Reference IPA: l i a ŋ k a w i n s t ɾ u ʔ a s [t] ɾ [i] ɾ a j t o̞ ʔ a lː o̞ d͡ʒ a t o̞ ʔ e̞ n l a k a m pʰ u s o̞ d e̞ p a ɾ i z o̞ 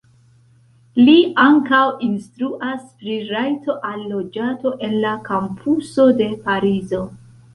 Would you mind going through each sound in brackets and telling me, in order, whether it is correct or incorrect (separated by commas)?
incorrect, correct